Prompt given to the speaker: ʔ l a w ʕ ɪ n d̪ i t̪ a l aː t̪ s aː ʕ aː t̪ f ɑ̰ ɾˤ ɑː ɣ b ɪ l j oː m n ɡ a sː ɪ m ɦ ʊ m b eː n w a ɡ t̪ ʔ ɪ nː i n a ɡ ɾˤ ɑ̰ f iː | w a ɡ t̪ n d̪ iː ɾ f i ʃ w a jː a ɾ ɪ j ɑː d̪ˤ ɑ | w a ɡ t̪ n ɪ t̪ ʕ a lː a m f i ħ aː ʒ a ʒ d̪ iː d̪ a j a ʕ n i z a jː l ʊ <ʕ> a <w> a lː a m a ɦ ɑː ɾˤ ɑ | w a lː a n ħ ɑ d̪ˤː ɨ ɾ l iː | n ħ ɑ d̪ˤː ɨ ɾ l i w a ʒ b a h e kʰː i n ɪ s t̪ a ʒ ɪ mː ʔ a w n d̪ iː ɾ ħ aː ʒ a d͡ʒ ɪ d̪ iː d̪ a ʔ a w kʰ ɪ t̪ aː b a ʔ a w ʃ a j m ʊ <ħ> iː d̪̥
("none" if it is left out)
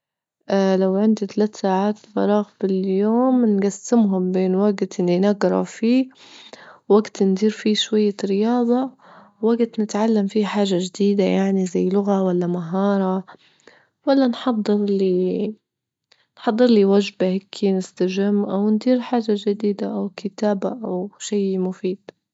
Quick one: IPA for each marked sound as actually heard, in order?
ɣ, w, f

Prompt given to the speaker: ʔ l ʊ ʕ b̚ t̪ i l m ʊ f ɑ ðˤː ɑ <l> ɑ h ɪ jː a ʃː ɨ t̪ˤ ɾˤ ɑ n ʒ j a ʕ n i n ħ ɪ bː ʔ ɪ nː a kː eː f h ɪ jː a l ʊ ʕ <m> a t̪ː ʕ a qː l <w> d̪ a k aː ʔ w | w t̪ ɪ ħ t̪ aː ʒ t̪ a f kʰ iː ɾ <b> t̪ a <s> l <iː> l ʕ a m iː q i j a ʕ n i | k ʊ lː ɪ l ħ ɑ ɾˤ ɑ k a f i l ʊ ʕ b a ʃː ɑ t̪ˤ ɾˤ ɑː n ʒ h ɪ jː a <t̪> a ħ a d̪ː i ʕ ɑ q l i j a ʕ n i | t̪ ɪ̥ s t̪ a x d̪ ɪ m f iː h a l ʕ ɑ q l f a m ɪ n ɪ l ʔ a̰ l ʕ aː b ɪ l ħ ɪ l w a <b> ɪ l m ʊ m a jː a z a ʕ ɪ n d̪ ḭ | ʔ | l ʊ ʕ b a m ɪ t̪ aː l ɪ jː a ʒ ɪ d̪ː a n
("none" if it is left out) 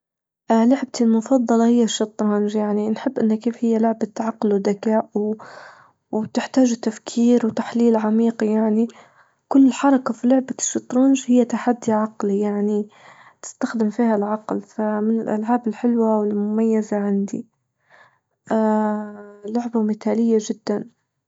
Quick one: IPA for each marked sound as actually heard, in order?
l, b, w, w, ħ, iː, t̪, w

